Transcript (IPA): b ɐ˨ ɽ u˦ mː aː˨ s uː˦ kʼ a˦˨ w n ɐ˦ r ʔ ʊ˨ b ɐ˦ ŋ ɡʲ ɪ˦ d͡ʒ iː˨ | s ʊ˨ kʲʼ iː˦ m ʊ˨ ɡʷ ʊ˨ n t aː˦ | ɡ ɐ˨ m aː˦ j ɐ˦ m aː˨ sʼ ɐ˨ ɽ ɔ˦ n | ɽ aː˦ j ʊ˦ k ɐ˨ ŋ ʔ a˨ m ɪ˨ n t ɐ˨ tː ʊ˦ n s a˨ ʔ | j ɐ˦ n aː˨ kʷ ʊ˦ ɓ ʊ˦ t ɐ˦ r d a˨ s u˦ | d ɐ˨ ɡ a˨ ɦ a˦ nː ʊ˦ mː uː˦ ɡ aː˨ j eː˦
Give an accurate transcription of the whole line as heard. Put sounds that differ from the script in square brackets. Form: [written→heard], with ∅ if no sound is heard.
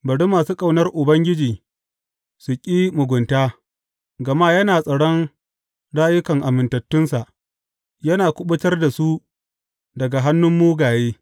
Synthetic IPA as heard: b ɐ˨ ɽ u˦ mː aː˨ s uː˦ kʼ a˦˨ w n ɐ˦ r ʔ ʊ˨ b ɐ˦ ŋ ɡʲ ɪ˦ d͡ʒ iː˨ | s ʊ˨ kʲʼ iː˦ m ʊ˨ ɡʷ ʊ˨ n t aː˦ | ɡ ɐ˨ m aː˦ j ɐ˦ [m→n] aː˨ sʼ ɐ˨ ɽ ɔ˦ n | ɽ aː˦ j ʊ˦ k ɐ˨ ŋ ʔ a˨ m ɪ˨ n t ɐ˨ tː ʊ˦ n s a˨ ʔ | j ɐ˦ n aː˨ kʷ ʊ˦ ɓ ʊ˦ t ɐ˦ r d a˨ s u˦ | d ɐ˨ ɡ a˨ ɦ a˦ nː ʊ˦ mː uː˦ ɡ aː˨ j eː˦